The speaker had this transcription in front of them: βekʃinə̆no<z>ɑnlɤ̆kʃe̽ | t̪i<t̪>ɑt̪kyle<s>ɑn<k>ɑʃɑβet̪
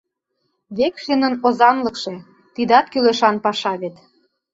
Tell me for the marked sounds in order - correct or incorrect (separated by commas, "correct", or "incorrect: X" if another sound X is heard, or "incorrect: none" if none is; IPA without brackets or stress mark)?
correct, incorrect: d̪, incorrect: ʃ, incorrect: p